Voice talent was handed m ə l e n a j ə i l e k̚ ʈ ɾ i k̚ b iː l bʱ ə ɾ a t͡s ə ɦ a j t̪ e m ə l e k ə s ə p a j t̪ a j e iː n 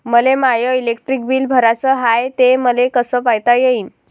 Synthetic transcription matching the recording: m ə l e m a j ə i l e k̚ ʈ ɾ i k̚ b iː l bʱ ə ɾ a t͡s ə ɦ a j t̪ e m ə l e k ə s ə p a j t̪ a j e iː n